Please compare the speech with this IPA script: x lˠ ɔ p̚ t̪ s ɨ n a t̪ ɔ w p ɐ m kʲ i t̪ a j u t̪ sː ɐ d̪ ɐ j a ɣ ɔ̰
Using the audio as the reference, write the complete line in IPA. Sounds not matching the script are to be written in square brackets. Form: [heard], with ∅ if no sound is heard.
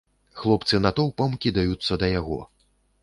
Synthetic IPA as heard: x lˠ ɔ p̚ t̪ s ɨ n a t̪ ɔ w p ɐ m kʲ i [d̪] a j u t̪ sː ɐ d̪ ɐ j a ɣ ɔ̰